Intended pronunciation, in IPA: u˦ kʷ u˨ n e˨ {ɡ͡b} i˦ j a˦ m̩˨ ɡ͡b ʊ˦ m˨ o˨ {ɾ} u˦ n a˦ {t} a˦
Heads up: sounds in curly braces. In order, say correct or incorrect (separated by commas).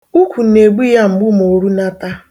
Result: correct, correct, correct